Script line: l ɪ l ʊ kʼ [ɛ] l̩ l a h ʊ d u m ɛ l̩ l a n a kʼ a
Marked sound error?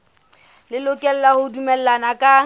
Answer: no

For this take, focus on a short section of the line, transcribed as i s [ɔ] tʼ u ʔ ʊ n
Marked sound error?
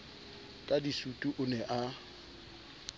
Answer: yes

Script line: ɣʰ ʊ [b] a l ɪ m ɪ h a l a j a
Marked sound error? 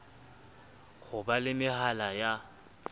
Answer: no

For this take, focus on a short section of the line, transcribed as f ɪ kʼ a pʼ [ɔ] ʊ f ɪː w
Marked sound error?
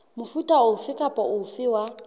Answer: no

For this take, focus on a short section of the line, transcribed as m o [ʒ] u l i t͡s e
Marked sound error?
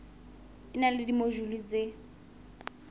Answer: no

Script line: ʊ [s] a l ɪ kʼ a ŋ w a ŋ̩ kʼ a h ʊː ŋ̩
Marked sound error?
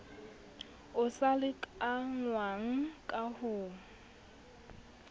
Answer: no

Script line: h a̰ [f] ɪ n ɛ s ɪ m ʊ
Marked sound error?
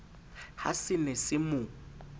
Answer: yes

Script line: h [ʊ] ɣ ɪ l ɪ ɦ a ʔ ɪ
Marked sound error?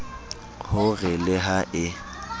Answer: no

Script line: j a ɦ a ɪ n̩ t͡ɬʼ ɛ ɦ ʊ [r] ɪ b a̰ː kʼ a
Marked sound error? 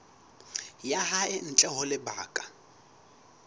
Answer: yes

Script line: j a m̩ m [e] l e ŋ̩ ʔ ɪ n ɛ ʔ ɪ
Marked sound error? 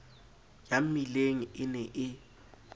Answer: yes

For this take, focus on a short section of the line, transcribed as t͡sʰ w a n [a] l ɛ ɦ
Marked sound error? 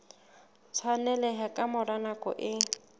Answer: yes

